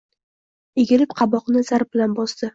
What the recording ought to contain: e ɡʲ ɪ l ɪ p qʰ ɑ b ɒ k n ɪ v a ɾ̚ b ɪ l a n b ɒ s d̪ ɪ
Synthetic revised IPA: e ɡʲ ɪ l ɪ p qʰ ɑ b ɒ q n ɪ z a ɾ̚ b ɪ l a n b ɒ s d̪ ɪ